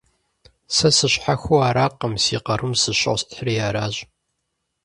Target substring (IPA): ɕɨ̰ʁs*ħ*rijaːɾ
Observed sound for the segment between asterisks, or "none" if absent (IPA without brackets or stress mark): ħ